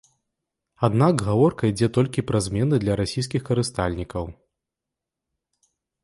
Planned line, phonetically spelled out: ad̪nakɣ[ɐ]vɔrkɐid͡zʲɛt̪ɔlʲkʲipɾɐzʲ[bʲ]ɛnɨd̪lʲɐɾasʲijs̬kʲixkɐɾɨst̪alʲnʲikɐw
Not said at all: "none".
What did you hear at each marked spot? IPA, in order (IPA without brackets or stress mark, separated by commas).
a, mʲ